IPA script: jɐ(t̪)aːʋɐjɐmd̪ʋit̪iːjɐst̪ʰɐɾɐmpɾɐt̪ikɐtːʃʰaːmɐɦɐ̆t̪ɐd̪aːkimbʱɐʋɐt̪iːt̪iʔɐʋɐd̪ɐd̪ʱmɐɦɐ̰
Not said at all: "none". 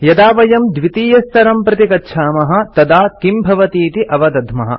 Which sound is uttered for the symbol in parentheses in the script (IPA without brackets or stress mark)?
d̪